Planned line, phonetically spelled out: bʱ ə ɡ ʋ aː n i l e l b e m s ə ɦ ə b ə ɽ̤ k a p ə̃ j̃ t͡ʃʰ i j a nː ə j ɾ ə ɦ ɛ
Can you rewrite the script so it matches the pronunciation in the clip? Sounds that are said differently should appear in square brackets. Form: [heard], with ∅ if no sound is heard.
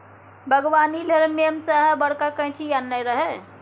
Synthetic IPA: bʱ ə ɡ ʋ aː n i l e l [m] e m s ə ɦ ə b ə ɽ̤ k a [k] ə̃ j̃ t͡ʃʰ i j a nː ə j ɾ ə ɦ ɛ

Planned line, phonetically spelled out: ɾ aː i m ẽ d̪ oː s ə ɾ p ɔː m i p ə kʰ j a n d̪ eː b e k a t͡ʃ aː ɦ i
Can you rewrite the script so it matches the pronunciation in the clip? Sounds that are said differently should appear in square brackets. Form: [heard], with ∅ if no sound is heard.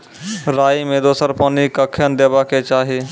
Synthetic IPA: ɾ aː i m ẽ d̪ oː s ə ɾ p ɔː [n] i [k] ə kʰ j [ə] n d̪ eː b [a] k [e] t͡ʃ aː ɦ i

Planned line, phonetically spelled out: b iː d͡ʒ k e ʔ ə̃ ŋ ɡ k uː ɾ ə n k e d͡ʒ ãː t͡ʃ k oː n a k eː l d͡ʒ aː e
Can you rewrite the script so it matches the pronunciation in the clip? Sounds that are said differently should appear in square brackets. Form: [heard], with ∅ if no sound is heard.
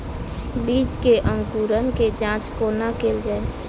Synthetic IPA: b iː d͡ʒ k e ʔ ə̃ ŋ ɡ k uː ɾ ə n k e d͡ʒ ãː t͡ʃ k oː n a k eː l d͡ʒ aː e

